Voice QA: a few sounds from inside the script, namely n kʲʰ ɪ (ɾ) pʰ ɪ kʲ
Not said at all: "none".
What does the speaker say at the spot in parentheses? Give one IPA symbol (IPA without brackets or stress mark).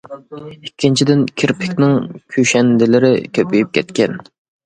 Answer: ɾ